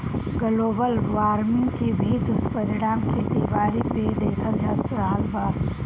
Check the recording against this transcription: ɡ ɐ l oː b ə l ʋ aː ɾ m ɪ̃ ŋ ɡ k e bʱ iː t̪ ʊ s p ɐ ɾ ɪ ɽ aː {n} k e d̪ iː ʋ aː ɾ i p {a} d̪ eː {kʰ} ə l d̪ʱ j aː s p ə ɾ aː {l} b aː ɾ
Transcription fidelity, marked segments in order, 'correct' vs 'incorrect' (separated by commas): incorrect, incorrect, correct, correct